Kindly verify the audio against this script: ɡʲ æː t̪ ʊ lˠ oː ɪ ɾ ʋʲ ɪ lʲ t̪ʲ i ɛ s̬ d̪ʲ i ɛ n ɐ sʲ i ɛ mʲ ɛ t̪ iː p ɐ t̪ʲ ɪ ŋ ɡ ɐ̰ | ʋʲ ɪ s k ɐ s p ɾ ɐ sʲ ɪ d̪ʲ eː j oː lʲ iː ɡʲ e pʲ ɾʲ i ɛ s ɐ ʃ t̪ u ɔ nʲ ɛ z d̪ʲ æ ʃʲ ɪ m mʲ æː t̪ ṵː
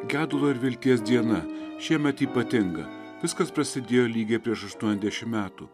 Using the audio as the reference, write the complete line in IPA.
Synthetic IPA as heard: ɡʲ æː d̪ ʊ lˠ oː ɪ ɾ ʋʲ ɪ lʲ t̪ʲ i ɛ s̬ d̪ʲ i ɛ n ɐ ʃʲ i ɛ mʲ ɛ t̪ iː p ɐ t̪ʲ ɪ ŋ ɡ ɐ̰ | ʋʲ ɪ s k ɐ s p ɾ ɐ sʲ ɪ d̪ʲ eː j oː lʲ iː ɡʲ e pʲ ɾʲ i ɛ ʃ ɐ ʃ t̪ u ɔ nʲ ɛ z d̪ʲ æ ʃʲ ɪ m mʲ æː t̪ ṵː

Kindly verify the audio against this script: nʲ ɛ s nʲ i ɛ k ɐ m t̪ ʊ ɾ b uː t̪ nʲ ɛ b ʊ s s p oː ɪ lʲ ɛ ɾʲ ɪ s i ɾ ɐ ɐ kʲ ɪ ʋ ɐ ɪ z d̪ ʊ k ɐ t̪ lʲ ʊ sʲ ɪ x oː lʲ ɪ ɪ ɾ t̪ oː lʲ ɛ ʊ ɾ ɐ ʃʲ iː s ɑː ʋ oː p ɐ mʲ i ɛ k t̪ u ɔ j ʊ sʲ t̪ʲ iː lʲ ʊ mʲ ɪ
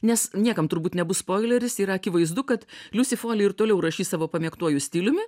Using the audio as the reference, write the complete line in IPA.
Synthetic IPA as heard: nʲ ɛ s nʲ i ɛ k ɐ m t̪ ʊ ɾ b uː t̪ nʲ ɛ b ʊ s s p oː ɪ lʲ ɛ ɾʲ ɪ s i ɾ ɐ ɐ kʲ ɪ ʋ ɐ ɪ z d̪ ʊ k ɐ t̪ lʲ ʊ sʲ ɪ f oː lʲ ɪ ɪ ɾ t̪ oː lʲ ɛ ʊ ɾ ɐ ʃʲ iː s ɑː ʋ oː p ɐ mʲ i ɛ k t̪ u ɔ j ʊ sʲ t̪ʲ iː lʲ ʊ mʲ ɪ

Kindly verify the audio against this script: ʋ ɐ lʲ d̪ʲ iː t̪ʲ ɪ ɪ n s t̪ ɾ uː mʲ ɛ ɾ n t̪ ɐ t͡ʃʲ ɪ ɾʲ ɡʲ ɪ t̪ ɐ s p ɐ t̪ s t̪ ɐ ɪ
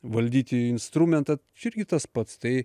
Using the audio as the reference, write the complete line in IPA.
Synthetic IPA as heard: ʋ ɐ lʲ d̪ʲ iː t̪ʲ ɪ ɪ n s t̪ ɾ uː mʲ ɛ n t̪ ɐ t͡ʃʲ ɪ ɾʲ ɡʲ ɪ t̪ ɐ s p ɐ t̪ s t̪ ɐ ɪ

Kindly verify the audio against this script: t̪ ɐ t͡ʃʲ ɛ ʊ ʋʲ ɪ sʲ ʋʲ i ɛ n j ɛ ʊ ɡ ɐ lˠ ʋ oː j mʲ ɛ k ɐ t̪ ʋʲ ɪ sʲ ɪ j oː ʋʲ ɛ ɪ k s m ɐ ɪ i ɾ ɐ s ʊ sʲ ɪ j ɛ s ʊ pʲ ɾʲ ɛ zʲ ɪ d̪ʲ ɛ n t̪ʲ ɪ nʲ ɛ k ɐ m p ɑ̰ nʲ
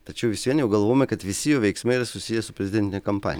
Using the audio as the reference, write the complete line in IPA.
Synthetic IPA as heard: t̪ ɐ t͡ʃʲ ɛ ʊ ʋʲ ɪ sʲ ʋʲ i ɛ n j ɛ ʊ ɡ ɐ lˠ ʋ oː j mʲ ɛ k ɐ t̪ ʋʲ ɪ sʲ ɪ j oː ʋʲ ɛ ɪ k s m ɐ ɪ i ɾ ɐ s ʊ sʲ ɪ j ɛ s ʊ pʲ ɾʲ ɛ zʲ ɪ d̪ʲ ɛ n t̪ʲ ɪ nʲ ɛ k ɐ m p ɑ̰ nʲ

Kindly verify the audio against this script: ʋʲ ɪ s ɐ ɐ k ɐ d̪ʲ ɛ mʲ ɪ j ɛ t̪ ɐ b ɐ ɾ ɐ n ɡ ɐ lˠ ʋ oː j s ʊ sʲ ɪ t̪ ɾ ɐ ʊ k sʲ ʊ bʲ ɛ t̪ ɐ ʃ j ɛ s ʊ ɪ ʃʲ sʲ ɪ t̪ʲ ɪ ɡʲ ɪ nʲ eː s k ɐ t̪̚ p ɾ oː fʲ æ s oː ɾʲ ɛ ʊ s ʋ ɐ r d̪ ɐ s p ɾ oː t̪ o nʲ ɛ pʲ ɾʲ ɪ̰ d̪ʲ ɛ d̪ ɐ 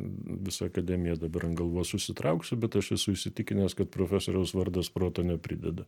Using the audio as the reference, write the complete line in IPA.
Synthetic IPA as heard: ʋʲ ɪ s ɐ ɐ k ɐ d̪ʲ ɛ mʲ ɪ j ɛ d̪ ɐ b ɐ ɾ ɐ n ɡ ɐ lˠ ʋ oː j s ʊ sʲ ɪ t̪ ɾ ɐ ʊ k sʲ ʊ bʲ ɛ t̪ ɐ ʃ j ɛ s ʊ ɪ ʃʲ sʲ ɪ t̪ʲ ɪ kʲ ɪ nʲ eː s k ɐ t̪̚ p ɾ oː fʲ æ s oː ɾʲ ɛ ʊ s ʋ ɐ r d̪ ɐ s p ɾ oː t̪ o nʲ ɛ pʲ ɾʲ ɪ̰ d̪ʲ ɛ d̪ ɐ

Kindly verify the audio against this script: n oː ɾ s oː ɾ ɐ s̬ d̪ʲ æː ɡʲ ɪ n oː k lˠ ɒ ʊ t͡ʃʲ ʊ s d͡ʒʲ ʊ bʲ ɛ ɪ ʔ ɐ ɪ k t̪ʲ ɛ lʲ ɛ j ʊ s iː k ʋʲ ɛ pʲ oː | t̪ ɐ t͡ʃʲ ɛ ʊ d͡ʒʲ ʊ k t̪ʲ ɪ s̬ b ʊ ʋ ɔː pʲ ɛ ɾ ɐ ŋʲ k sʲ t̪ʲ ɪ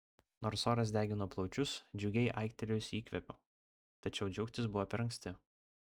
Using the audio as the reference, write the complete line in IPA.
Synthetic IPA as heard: n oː ɾ s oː ɾ ɐ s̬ d̪ʲ æː ɡʲ ɪ n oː p lˠ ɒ ʊ t͡ʃʲ ʊ s d͡ʒʲ ʊ ɡʲ ɛ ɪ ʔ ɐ ɪ k t̪ʲ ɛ lʲ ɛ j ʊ s iː k ʋʲ ɛ pʲ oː | t̪ ɐ t͡ʃʲ ɛ ʊ d͡ʒʲ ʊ k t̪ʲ ɪ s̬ b ʊ ʋ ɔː pʲ ɛ ɾ ɐ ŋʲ k sʲ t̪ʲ ɪ

